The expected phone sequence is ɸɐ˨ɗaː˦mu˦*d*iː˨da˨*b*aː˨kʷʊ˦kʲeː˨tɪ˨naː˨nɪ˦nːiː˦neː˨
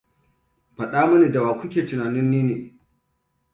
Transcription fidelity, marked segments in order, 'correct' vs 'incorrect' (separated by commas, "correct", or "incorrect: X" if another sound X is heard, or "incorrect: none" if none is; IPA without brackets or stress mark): incorrect: n, incorrect: w